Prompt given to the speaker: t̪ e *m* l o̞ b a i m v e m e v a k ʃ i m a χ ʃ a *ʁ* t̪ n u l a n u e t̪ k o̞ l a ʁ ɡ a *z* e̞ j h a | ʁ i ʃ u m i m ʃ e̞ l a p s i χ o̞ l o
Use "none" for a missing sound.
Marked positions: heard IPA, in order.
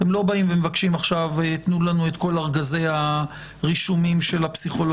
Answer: m, v, z

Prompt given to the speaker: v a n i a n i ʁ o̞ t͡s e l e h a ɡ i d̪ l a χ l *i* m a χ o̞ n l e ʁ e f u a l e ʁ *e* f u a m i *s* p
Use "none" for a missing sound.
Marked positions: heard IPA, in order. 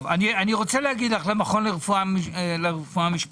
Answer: e, e, ʃ

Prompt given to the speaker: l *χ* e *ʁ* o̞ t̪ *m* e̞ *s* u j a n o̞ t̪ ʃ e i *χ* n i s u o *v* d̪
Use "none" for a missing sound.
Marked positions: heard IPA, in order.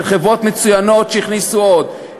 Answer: χ, v, m, t͡s, χ, none

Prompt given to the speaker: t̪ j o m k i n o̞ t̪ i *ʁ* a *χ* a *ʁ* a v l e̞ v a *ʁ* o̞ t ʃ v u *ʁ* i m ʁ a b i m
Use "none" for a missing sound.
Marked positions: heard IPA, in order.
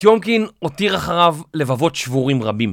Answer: ʁ, χ, ʁ, v, ʁ

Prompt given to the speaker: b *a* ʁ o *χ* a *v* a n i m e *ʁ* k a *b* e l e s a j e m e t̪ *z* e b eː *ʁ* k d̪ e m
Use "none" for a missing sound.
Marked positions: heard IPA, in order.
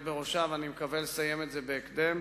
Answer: e, ʃ, v, none, v, z, none

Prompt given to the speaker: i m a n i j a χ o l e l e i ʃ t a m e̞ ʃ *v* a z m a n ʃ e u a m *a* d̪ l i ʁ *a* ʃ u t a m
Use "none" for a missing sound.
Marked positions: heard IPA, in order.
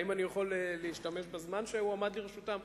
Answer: b, a, e

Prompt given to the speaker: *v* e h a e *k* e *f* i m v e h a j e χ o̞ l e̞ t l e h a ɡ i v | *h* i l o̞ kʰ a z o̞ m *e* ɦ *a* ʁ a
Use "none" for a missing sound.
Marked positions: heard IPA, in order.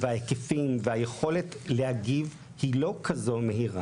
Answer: v, k, f, h, e, i

